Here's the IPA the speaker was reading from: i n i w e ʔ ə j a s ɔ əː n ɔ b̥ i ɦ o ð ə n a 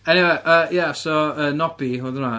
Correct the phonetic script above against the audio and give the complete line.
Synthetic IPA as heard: ɛ n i w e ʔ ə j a s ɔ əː n ɔ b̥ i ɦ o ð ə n a